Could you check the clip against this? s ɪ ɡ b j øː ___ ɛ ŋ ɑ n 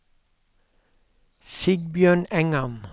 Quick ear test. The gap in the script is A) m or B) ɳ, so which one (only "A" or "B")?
B